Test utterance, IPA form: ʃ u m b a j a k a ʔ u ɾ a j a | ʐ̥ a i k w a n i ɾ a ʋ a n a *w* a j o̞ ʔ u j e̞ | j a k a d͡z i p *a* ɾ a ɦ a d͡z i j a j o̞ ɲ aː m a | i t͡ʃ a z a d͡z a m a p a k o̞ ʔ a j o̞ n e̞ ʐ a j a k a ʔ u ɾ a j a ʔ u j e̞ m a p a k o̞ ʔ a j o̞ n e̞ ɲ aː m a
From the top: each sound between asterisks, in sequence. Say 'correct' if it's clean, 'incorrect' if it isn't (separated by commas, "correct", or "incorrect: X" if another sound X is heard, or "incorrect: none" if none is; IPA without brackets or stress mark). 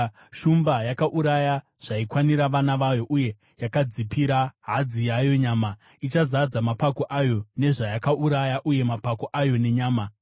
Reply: incorrect: ʋ, incorrect: i